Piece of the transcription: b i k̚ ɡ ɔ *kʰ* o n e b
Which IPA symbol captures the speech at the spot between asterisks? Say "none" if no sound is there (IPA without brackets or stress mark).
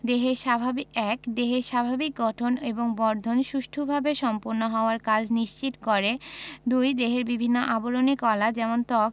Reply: ʈʰ